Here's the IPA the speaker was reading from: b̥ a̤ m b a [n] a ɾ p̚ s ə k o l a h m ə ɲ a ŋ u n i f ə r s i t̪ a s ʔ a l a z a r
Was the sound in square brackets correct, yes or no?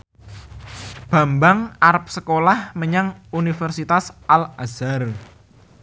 no